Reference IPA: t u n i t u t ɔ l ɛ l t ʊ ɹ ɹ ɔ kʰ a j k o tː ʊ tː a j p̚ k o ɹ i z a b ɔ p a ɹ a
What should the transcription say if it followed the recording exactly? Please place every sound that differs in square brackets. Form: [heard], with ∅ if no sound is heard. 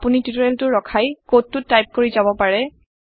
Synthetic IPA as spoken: [p] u n i t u t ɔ [ɹ] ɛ l t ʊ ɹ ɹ ɔ kʰ a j k o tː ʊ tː a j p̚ k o ɹ i z a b ɔ p a ɹ [ɛ]